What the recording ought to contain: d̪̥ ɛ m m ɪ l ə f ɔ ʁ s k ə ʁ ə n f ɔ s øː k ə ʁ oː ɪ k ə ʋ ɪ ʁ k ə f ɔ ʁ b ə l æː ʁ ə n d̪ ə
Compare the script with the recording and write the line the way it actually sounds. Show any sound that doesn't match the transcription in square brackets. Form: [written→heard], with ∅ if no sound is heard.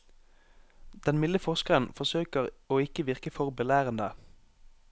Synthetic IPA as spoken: d̪̥ ɛ [m→n] m ɪ l ə f ɔ ʁ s k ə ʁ ə n f ɔ s øː k ə ʁ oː ɪ k ə ʋ ɪ ʁ k ə f ɔ ʁ b ə l æː ʁ ə n d̪ ə